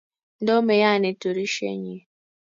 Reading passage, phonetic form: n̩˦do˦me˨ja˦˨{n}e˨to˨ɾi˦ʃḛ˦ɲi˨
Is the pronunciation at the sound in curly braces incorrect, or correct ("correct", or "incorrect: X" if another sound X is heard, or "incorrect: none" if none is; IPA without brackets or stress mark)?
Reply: correct